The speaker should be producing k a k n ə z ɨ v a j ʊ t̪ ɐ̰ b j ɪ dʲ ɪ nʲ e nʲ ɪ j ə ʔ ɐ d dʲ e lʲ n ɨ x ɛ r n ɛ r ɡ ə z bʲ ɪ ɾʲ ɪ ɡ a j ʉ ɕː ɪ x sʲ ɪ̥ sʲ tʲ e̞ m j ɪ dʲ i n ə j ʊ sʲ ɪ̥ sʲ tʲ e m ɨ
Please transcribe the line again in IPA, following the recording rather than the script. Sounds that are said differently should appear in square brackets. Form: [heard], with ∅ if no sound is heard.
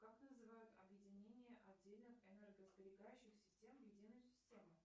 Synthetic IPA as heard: k a k n ə z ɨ v a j ʊ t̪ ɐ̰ b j ɪ dʲ ɪ nʲ e nʲ ɪ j ə ʔ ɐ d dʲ e lʲ n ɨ x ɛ [∅] n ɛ r ɡ ə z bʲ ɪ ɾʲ ɪ ɡ a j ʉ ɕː ɪ x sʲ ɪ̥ sʲ tʲ e̞ m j ɪ dʲ i n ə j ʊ sʲ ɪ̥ sʲ tʲ e m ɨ

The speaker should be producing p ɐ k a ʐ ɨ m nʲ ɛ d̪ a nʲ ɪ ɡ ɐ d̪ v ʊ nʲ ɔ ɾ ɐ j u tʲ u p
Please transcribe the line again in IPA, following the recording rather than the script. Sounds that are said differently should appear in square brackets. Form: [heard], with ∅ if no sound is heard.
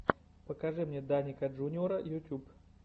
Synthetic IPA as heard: p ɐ k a ʐ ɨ m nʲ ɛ d̪ a nʲ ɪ [k] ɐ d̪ [ʐ] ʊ nʲ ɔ ɾ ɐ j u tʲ u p

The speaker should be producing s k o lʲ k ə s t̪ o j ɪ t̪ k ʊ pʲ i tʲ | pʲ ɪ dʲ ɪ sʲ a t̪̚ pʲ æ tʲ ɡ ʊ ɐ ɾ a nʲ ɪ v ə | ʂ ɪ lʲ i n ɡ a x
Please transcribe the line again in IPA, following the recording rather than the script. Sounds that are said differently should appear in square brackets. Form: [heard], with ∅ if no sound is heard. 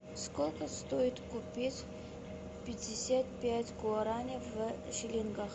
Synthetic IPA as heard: s k o lʲ k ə s t̪ o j ɪ t̪ k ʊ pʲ i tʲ | pʲ ɪ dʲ ɪ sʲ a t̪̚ pʲ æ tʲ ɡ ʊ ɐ ɾ a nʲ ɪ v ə | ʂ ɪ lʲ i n ɡ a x

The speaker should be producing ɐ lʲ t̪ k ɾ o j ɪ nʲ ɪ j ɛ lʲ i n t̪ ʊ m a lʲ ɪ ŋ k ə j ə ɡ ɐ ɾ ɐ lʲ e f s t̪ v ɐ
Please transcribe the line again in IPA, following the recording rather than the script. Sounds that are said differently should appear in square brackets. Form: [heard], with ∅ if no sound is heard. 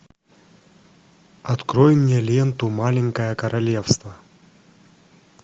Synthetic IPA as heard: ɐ [∅] t̪ k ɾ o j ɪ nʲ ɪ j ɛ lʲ [e] n t̪ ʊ m a lʲ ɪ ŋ k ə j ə [k] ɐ ɾ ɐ lʲ e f s t̪ v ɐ

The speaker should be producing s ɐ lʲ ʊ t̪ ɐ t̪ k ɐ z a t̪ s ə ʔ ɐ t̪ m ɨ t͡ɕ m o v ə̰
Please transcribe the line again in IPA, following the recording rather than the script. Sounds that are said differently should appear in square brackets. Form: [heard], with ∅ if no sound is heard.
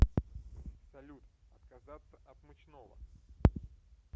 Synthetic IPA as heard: s ɐ lʲ [u] t̪ ɐ t̪ k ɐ z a t̪ s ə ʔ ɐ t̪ m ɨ t͡ɕ [n] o v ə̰

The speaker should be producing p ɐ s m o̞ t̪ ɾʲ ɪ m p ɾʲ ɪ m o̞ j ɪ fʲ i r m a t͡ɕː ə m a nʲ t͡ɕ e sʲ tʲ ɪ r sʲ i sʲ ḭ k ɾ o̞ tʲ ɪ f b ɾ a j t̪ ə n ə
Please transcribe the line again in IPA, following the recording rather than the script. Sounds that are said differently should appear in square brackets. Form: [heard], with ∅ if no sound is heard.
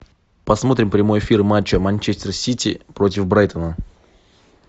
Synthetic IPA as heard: p ɐ s m o̞ t̪ ɾʲ ɪ m p ɾʲ ɪ m o̞ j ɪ fʲ i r m a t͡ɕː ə m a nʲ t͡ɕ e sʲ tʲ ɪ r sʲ i [tʲ] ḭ [p] ɾ o̞ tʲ ɪ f b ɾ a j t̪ ə n ə

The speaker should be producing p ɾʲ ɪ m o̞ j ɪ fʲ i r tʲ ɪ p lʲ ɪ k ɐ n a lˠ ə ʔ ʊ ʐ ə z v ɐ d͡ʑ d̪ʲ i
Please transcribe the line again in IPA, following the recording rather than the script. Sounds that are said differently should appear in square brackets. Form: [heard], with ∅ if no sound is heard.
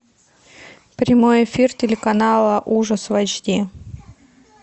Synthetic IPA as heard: p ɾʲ ɪ m o̞ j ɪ fʲ i r tʲ ɪ [∅] lʲ ɪ k ɐ n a lˠ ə ʔ [u] ʐ ə [s] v ɐ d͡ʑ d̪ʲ i

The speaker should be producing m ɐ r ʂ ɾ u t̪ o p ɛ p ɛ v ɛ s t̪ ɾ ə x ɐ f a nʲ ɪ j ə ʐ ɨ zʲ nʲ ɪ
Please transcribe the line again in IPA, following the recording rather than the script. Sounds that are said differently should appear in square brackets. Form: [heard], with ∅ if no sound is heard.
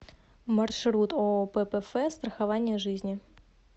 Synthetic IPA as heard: m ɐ r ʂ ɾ u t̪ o p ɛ p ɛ [f] ɛ s t̪ ɾ ə x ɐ [v] a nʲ ɪ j ə ʐ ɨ zʲ nʲ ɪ

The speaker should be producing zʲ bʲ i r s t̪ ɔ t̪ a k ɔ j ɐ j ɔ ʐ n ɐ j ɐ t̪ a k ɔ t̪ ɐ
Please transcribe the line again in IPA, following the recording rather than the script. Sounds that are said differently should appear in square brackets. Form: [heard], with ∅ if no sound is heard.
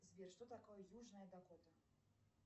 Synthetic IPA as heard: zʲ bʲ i r [ʂ] t̪ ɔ t̪ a k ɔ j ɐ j [u] ʐ n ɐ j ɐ [d̪] a k ɔ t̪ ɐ

